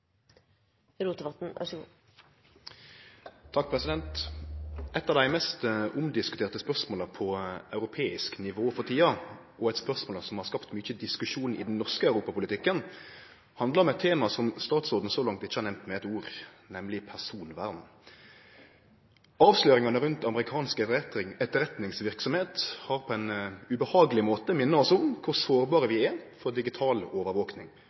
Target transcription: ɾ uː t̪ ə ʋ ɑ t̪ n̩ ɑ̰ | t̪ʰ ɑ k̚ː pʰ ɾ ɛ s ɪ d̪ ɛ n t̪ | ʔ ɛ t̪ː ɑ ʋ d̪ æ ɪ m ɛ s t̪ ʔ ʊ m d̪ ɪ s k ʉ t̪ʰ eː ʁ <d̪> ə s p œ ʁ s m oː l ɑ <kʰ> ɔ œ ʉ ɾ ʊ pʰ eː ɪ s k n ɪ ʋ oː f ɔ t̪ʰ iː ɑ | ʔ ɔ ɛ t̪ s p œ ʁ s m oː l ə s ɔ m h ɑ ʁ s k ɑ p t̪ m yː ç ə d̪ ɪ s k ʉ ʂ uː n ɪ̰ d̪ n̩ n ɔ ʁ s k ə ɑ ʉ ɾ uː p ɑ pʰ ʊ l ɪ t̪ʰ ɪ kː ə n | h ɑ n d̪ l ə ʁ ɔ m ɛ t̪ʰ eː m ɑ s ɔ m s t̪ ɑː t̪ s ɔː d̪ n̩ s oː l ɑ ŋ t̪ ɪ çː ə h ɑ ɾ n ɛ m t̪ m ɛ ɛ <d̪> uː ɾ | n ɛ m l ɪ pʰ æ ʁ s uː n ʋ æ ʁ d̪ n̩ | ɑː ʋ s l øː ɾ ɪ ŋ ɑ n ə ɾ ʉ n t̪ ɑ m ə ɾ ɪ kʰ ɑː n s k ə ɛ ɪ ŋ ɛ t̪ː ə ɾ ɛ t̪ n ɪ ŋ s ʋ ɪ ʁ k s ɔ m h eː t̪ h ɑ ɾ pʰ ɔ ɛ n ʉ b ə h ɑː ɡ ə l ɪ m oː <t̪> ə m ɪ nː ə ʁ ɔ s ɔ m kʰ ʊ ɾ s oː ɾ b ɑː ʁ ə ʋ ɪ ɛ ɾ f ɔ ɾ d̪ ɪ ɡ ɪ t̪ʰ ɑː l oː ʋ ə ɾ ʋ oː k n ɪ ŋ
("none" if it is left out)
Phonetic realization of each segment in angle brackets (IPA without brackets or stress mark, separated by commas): t̪, pʰ, t̪, t̪